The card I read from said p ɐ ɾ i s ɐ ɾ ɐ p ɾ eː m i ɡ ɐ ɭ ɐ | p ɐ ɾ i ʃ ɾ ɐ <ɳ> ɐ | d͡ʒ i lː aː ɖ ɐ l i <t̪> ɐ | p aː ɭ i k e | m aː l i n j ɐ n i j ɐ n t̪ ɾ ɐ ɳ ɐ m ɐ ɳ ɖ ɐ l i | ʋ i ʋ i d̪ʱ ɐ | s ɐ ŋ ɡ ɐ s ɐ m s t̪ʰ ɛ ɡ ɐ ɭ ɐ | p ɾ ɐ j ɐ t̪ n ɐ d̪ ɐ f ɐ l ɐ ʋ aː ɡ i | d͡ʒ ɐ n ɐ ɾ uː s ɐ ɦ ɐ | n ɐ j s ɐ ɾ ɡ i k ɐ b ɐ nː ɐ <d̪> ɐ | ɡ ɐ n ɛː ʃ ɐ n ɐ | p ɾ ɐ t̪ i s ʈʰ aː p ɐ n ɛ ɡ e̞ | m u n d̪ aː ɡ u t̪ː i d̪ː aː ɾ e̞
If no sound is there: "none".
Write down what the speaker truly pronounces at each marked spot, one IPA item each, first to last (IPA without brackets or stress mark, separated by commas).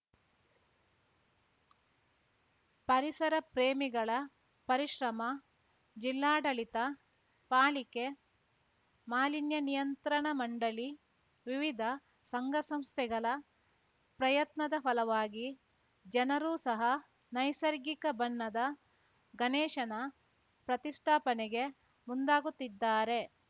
m, t̪, d̪